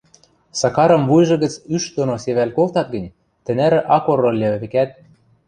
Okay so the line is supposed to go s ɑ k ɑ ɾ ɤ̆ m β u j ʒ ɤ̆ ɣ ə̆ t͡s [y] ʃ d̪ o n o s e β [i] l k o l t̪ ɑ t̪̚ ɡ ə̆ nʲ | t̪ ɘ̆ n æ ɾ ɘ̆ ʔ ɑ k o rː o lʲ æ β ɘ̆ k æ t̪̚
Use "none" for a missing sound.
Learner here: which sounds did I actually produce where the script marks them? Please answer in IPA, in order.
y, æ

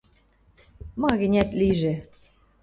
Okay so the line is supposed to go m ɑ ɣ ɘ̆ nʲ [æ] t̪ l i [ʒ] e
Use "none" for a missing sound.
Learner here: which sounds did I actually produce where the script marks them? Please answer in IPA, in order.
æ, ʒ

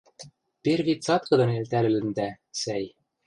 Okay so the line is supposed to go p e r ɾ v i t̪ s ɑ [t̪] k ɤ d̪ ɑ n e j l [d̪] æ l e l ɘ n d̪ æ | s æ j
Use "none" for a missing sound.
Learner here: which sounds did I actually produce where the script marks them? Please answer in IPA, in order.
t̪, t̪

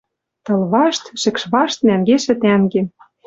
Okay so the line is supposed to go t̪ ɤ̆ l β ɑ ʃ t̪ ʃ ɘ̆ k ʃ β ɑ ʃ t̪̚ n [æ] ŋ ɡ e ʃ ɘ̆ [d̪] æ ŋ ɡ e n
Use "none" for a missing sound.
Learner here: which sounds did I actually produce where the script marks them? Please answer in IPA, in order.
æ, t̪

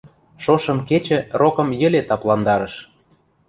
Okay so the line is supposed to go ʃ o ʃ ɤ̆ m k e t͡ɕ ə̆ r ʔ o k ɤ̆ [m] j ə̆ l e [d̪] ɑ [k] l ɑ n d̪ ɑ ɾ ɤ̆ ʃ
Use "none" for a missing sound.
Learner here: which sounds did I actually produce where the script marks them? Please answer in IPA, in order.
m, t̪, p

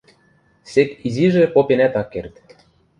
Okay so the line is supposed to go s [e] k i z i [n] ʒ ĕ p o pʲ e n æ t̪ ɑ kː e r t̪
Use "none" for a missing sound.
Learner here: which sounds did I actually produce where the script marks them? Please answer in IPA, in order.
e, none

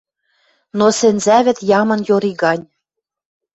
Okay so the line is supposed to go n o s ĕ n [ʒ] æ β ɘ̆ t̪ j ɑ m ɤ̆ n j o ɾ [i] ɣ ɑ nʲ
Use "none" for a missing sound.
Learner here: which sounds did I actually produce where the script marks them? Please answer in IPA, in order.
z, i

